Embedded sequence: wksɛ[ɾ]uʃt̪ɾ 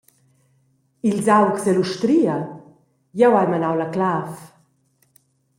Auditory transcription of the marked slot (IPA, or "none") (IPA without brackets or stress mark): l